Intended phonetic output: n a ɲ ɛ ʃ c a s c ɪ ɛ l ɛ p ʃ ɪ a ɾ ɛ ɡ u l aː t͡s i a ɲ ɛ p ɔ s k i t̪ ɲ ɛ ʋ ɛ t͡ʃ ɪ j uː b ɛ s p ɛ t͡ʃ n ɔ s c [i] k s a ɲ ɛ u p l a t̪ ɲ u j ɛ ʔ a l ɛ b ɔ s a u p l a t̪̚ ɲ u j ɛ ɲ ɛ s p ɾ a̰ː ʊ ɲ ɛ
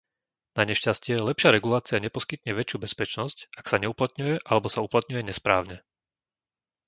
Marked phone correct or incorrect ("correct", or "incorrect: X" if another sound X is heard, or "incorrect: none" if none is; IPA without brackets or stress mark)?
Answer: incorrect: a